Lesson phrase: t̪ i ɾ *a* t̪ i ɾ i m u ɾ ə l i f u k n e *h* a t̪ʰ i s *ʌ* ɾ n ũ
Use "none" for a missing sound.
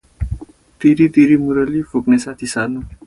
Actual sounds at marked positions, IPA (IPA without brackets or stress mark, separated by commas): i, s, a